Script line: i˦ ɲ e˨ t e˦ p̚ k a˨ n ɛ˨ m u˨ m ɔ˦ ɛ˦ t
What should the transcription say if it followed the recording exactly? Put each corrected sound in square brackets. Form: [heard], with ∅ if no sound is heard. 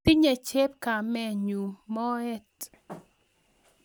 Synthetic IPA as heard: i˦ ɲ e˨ [t͡ʃ] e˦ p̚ k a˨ [m] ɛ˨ [ɲ] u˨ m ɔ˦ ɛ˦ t